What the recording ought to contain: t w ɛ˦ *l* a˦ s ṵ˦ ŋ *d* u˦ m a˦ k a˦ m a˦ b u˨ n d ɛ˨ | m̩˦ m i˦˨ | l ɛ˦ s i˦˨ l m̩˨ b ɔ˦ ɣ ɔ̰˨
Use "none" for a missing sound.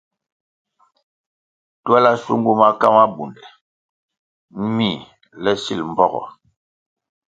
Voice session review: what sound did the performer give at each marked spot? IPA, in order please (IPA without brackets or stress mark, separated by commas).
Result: l, ɡ